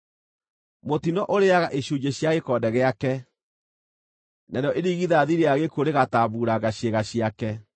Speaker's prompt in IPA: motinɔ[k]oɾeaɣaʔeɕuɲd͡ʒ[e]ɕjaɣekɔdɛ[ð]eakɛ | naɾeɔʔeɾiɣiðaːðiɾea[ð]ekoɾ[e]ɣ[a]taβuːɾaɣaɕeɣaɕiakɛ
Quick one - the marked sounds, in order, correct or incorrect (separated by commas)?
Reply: incorrect, correct, incorrect, incorrect, correct, correct